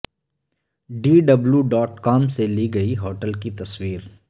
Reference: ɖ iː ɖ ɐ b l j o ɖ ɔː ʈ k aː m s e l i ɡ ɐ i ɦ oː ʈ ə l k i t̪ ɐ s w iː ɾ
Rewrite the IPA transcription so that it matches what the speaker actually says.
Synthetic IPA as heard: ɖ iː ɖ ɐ b l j u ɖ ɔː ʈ k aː m s e l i ɡ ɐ i ɦ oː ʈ ə l k i t̪ ɐ s w iː ɾ